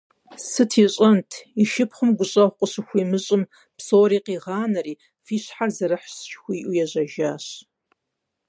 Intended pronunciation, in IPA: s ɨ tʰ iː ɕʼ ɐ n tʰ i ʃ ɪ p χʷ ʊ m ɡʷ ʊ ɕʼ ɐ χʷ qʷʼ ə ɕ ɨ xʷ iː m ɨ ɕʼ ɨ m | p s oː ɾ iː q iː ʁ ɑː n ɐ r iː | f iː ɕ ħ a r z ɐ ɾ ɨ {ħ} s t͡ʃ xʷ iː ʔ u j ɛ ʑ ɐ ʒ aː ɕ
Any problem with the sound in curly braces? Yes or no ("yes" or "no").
no